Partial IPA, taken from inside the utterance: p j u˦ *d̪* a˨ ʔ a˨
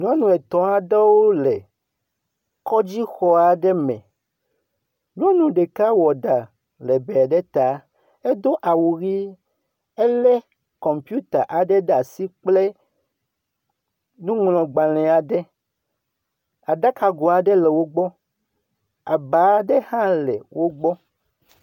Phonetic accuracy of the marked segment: incorrect: t̪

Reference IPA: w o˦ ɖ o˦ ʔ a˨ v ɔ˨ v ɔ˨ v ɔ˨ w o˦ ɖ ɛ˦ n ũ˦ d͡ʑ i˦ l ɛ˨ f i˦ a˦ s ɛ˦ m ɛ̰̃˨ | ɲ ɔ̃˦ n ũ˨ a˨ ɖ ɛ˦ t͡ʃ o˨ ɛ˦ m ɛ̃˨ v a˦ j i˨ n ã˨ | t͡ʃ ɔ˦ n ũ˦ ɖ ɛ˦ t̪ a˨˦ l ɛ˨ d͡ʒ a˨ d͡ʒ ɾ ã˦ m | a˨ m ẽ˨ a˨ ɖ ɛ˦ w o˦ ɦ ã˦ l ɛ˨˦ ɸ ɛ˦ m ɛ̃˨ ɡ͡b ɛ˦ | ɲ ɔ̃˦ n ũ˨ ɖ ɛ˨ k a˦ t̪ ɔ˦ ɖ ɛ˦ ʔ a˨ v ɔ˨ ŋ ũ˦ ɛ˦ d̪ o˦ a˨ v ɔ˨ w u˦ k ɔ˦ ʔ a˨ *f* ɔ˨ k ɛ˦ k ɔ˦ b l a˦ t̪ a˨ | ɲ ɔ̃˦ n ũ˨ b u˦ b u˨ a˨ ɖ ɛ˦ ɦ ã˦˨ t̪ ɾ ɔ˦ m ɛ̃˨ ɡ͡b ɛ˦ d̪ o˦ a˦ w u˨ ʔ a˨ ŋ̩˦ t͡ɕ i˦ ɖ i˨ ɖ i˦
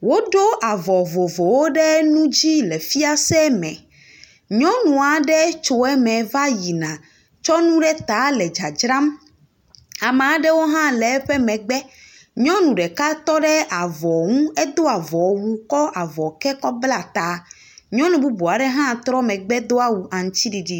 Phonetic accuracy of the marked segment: incorrect: v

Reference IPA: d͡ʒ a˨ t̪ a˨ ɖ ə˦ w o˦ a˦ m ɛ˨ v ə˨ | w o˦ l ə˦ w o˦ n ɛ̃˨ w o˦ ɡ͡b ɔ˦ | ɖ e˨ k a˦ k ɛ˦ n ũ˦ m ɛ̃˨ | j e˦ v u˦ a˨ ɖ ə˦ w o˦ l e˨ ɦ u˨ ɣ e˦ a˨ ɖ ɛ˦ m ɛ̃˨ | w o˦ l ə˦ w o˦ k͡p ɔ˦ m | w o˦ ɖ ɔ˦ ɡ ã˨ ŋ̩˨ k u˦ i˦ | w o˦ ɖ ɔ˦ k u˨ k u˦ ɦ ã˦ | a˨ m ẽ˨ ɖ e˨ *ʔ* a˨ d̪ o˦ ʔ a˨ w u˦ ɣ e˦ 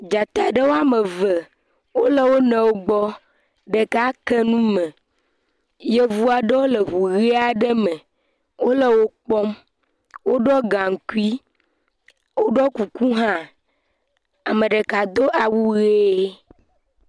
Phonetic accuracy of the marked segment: incorrect: k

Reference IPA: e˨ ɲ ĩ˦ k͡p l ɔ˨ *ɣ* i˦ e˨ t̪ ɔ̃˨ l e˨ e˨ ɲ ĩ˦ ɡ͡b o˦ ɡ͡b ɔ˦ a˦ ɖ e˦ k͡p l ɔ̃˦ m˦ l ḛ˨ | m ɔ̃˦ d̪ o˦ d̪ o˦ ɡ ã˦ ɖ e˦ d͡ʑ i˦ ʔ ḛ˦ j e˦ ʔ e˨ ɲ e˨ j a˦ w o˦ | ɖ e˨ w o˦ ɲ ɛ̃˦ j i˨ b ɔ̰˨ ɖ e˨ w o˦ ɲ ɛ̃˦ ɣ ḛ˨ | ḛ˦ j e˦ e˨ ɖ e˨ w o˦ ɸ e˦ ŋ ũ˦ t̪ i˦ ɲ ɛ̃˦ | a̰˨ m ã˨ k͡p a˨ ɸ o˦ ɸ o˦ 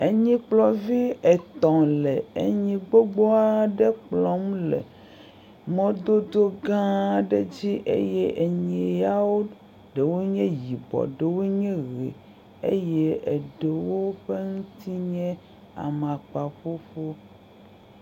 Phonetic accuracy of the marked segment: incorrect: v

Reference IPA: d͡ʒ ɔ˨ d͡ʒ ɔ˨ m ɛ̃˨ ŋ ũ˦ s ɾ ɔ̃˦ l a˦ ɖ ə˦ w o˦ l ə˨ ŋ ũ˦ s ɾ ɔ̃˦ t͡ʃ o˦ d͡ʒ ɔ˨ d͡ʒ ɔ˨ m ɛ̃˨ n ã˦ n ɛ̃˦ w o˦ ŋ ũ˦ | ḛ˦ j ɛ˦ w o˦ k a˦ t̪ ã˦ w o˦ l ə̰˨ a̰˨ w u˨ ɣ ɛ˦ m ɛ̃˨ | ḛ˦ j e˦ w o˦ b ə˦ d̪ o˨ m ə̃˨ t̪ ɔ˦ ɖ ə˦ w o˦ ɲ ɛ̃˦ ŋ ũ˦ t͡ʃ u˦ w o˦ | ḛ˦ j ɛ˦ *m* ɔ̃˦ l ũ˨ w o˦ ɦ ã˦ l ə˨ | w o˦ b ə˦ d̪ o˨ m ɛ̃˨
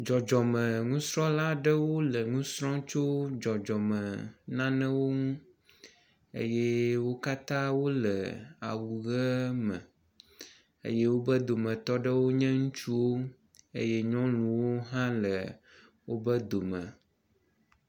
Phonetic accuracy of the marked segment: incorrect: ɲ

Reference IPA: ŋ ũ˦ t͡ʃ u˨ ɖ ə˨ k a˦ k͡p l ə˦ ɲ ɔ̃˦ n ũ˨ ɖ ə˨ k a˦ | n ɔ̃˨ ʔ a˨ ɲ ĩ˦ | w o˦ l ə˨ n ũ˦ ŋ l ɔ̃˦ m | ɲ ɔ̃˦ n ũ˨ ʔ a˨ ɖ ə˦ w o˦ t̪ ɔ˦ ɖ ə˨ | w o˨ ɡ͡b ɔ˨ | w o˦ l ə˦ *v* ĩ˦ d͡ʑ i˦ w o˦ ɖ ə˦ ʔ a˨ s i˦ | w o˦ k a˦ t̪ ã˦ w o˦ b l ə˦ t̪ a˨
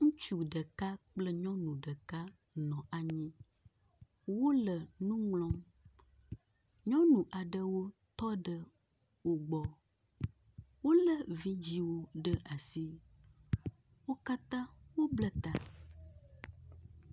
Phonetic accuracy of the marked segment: correct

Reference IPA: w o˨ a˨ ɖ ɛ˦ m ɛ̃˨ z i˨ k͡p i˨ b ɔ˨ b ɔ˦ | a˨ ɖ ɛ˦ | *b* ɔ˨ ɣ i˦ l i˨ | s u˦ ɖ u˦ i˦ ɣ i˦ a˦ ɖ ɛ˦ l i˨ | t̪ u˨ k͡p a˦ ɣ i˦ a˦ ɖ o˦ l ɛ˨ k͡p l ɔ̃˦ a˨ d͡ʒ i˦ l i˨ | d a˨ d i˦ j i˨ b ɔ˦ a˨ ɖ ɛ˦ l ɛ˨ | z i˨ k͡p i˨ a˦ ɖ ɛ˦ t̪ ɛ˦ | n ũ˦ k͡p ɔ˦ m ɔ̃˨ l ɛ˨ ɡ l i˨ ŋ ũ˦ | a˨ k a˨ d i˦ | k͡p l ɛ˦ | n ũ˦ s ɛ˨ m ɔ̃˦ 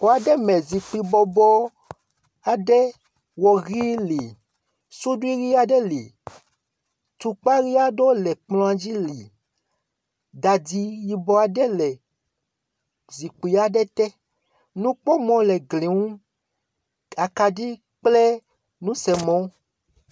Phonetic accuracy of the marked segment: incorrect: w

